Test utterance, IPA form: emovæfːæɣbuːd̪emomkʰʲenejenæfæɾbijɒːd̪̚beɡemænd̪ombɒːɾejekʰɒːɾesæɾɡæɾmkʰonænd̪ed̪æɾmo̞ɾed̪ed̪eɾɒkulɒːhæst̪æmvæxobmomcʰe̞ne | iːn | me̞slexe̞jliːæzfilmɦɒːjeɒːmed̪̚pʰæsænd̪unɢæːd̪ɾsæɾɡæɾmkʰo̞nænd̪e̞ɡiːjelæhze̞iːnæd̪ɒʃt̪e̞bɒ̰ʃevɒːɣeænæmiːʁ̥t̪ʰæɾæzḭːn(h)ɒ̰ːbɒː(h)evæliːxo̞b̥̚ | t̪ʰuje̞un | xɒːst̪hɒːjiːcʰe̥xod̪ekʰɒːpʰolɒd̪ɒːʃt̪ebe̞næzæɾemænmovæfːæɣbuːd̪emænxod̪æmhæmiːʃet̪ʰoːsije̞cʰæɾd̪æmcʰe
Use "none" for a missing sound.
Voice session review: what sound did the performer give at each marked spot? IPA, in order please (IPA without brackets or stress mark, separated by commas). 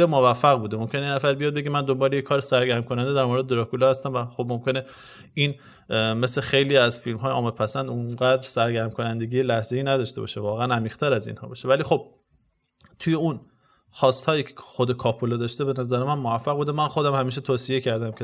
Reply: h, ʃ